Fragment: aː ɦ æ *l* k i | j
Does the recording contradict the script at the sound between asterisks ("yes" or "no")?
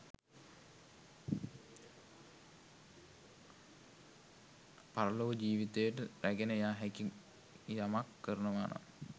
yes